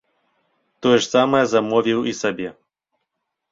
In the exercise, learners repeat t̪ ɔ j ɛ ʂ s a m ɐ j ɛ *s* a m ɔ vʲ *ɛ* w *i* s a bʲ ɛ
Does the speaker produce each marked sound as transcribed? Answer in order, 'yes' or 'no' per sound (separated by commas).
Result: no, no, yes